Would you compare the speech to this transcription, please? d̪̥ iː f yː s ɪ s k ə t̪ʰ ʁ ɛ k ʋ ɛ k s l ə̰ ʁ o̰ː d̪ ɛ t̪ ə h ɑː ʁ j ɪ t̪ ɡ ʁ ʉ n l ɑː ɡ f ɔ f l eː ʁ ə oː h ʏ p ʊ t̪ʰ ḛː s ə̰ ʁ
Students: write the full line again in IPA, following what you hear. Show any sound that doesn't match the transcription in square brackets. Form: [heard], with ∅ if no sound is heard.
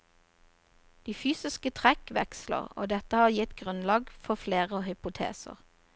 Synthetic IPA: d̪̥ iː f yː s ɪ s k ə t̪ʰ ʁ ɛ k ʋ ɛ k s l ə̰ ʁ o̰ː d̪ ɛ t̪ ə h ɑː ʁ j ɪ t̪ ɡ ʁ ʉ n l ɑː ɡ f ɔ f l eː ʁ ə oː h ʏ p ʊ t̪ʰ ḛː s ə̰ ʁ